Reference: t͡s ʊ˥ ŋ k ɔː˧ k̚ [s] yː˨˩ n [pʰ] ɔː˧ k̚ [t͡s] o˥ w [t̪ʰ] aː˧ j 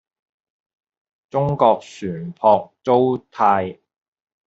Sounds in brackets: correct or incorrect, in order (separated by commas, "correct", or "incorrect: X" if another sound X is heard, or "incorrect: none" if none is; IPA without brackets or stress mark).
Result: correct, correct, correct, correct